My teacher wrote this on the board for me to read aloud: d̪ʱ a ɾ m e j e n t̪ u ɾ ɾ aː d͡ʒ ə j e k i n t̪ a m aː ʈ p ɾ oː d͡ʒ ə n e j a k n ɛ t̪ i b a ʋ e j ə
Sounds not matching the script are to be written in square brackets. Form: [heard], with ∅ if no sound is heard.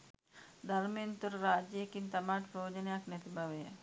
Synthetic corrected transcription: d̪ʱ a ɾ m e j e n t̪ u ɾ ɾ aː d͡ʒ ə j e k i n t̪ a m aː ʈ p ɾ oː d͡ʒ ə n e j a k n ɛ t̪ i b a ʋ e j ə